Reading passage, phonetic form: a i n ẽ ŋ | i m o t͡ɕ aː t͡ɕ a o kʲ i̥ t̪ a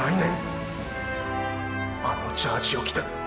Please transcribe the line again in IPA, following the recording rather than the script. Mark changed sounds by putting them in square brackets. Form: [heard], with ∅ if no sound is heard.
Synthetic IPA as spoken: a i n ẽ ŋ | [a] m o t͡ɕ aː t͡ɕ [i] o kʲ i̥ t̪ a